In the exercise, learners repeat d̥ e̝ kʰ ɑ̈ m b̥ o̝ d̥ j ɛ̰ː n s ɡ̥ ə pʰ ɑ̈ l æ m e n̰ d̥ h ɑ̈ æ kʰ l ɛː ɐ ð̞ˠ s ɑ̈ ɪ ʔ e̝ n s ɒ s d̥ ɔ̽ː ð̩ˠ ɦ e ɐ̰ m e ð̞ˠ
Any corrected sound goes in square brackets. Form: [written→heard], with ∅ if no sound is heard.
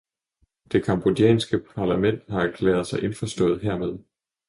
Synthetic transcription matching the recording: d̥ e̝ kʰ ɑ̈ m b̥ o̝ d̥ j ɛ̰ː n s ɡ̥ ə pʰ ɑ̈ l æ m e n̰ d̥ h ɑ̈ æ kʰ l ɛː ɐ ð̞ˠ s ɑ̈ ɪ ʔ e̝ n [s→f] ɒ s d̥ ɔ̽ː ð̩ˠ ɦ e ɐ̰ m e ð̞ˠ